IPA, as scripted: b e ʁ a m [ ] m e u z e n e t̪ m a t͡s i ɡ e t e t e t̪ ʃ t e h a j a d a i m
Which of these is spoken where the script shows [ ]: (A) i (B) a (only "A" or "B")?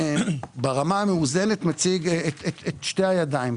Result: B